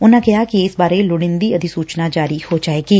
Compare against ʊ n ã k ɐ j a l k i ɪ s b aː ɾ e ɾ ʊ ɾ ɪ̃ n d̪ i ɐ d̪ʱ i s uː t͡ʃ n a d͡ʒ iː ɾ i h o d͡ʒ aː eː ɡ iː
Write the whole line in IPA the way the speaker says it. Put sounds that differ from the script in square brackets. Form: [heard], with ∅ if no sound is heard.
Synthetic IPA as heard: ʊ n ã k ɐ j a [∅] k i ɪ s b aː ɾ e [l] ʊ [ɽ] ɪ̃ n d̪ i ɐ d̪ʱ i s uː t͡ʃ n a d͡ʒ [aː] ɾ i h o d͡ʒ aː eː ɡ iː